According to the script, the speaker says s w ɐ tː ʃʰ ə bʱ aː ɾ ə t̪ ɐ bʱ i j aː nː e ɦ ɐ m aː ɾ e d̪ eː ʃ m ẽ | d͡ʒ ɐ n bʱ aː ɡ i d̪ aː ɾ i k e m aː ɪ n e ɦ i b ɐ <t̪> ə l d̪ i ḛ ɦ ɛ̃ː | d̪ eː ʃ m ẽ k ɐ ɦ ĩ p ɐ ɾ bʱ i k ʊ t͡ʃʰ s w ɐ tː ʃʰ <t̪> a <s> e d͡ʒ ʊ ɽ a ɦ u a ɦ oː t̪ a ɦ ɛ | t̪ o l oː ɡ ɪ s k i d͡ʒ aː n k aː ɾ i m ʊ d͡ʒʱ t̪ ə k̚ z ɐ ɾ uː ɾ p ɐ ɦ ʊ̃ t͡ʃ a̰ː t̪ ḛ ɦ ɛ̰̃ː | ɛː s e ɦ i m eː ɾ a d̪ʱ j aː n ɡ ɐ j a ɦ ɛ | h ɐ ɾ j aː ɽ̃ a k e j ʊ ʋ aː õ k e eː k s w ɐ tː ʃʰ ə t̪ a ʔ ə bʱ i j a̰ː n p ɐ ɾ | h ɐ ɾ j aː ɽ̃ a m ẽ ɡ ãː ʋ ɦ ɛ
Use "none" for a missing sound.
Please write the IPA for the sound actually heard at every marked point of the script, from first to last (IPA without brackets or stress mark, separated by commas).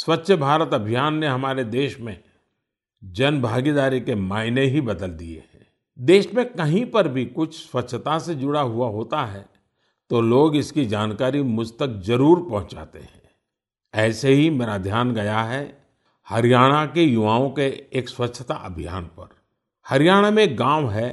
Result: d̪, t̪, s